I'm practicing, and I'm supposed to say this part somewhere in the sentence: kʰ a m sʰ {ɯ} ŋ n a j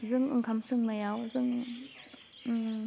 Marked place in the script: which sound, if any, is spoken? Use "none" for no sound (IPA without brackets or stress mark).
ɯ